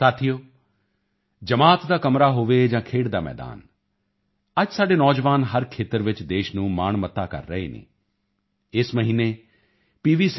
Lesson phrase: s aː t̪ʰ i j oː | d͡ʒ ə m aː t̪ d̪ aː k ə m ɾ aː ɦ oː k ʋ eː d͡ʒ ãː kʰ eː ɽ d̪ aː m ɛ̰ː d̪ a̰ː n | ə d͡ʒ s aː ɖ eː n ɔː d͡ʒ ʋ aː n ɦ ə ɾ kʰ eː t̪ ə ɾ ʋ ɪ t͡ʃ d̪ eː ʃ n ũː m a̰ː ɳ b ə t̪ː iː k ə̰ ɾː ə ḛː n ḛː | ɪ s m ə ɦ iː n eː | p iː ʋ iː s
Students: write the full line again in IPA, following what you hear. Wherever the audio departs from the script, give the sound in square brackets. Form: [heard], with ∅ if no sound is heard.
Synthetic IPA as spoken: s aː t̪ʰ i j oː | d͡ʒ ə m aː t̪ d̪ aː k ə m ɾ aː ɦ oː [∅] ʋ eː d͡ʒ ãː kʰ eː ɽ d̪ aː m ɛ̰ː d̪ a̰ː n | ə d͡ʒ s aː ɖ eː n ɔː d͡ʒ ʋ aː n ɦ ə ɾ kʰ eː t̪ ə ɾ ʋ ɪ t͡ʃ d̪ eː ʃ n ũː m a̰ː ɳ [m] ə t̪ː [aː] k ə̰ ɾː ə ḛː n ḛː | ɪ s m ə ɦ iː n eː | p iː ʋ iː s